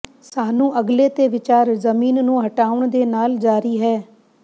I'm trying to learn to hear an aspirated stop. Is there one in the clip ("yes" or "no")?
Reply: no